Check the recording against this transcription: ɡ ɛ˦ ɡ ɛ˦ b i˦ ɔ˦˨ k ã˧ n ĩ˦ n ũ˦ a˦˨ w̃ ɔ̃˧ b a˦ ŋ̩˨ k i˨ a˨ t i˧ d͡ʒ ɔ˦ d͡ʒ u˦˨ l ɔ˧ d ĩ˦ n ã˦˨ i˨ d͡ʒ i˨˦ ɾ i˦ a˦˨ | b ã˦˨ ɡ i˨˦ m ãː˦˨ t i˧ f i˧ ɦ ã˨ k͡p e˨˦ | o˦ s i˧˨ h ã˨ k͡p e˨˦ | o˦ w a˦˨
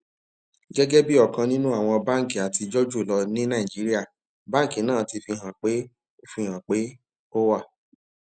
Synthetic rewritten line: ɡ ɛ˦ ɡ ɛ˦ b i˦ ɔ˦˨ k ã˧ n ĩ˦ n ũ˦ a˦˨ w̃ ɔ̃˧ b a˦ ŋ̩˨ k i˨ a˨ t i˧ d͡ʒ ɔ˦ d͡ʒ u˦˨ l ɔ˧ n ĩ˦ n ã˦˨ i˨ d͡ʒ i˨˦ ɾ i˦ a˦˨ | b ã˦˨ k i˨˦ n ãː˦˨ t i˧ f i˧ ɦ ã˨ k͡p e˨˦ | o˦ f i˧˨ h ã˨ k͡p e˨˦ | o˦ w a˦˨